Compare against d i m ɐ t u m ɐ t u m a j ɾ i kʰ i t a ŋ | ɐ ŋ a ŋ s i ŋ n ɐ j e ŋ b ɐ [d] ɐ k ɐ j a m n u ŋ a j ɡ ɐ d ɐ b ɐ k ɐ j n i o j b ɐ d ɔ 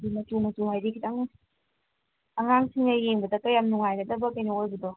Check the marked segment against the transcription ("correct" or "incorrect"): correct